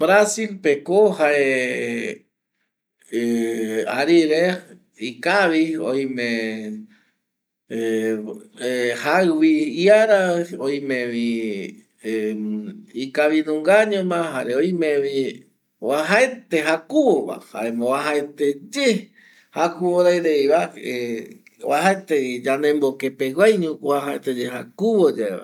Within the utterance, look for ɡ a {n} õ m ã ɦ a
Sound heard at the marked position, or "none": ɲ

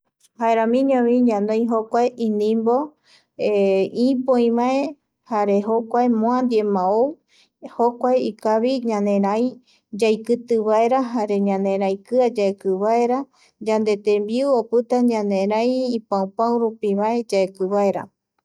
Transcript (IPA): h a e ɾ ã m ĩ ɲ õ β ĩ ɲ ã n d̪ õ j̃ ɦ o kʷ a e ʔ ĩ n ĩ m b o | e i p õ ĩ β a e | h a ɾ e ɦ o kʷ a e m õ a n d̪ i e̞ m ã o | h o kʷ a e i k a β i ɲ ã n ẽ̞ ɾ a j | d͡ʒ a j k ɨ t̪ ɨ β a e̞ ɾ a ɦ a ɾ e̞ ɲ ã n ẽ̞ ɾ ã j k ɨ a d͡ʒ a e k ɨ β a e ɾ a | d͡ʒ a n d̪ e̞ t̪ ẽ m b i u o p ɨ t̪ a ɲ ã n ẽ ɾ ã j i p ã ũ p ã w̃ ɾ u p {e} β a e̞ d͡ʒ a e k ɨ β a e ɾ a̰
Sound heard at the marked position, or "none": i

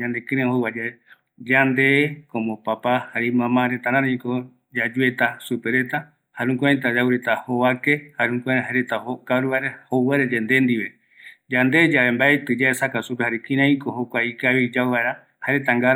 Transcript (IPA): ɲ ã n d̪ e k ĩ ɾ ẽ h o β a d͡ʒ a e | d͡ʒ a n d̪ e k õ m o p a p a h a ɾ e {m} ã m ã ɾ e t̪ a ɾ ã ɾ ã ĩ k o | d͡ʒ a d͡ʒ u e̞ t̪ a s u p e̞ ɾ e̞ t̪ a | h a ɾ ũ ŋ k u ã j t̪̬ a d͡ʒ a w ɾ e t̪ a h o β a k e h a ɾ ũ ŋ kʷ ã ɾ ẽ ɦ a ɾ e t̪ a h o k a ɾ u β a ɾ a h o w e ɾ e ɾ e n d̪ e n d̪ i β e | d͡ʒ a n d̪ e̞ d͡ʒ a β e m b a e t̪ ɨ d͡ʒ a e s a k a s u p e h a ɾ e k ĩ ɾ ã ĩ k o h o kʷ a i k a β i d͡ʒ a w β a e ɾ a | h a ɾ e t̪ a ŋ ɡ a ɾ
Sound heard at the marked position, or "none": m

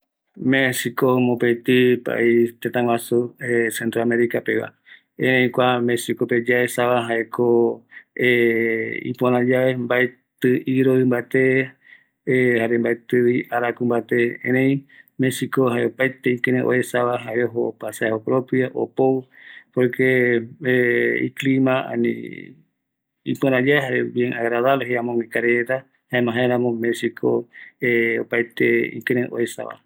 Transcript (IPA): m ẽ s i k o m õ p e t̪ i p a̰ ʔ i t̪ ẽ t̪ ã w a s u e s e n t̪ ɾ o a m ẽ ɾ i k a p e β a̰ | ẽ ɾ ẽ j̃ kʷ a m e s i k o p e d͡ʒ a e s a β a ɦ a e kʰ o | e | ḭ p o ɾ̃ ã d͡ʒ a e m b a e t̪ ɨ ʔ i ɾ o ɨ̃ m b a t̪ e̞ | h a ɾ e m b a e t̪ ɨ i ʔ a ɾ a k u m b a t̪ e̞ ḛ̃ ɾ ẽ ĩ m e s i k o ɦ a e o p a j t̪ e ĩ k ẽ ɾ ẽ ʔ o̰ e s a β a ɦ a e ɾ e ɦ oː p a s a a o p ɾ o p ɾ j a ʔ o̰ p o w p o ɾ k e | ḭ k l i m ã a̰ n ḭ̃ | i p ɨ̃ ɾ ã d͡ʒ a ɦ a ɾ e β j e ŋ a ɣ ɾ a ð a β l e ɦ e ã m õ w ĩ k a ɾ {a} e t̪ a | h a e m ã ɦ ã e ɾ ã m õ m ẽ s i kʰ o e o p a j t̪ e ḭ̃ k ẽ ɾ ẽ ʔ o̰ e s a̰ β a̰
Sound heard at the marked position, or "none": e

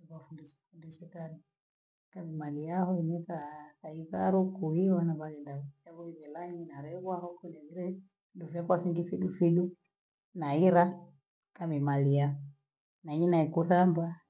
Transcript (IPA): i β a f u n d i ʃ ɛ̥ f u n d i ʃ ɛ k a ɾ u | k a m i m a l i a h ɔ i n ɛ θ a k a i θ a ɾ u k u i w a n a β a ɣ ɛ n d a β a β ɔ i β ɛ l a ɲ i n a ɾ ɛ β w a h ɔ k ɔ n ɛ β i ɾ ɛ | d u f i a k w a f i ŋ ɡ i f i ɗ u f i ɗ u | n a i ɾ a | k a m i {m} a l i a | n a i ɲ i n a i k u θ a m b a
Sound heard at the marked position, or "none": m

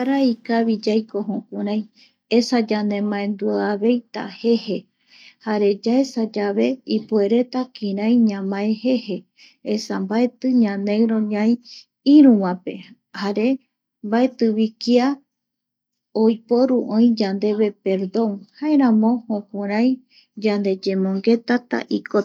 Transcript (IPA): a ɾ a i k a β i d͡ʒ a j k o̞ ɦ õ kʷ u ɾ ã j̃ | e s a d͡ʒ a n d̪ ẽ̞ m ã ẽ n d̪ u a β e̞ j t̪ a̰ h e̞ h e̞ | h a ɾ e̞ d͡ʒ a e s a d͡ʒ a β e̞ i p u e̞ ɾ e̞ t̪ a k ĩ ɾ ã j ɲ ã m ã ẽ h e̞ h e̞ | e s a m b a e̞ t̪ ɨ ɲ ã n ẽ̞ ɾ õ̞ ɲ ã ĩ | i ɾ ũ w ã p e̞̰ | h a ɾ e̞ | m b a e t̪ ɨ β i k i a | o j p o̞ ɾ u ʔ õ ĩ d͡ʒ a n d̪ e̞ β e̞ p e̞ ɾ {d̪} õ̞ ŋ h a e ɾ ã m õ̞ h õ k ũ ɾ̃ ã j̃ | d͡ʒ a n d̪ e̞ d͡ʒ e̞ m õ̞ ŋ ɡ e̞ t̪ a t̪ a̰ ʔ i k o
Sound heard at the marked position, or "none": d̪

